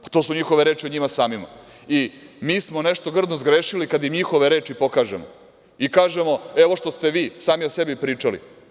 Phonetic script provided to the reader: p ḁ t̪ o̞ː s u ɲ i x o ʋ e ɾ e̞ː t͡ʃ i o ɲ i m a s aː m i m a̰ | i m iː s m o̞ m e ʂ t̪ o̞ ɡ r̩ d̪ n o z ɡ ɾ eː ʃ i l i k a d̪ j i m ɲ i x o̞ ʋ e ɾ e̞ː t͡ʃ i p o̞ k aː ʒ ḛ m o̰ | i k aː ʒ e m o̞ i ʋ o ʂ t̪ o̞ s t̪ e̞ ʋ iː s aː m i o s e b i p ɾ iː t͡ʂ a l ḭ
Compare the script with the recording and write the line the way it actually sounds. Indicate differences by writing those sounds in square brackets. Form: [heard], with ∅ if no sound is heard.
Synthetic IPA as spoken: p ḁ t̪ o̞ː s u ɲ i x o ʋ e ɾ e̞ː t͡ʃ i o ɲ i m a s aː m i m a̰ | i m iː s m o̞ [n] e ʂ t̪ o̞ ɡ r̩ d̪ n o z ɡ ɾ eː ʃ i l i k a d̪ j i m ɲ i x o̞ ʋ e ɾ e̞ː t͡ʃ i p o̞ k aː ʒ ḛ m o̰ | i k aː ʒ e m o̞ [e] ʋ o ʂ t̪ o̞ s t̪ e̞ ʋ iː s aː m i o s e b i p ɾ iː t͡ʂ a l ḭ